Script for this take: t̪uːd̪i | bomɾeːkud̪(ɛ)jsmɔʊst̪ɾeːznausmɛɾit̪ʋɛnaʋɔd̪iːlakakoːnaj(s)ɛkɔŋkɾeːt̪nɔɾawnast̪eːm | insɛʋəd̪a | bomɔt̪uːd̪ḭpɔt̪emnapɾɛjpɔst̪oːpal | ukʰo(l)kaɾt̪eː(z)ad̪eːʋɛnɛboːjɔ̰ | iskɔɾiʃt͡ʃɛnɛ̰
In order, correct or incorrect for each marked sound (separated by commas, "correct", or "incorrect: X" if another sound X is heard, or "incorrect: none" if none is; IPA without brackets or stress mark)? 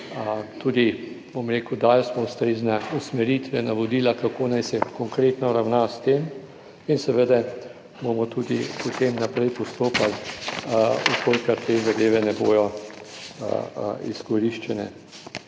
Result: incorrect: a, correct, correct, correct